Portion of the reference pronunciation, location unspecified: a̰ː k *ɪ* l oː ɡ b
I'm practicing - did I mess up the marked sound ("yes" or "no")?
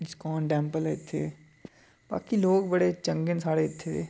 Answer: yes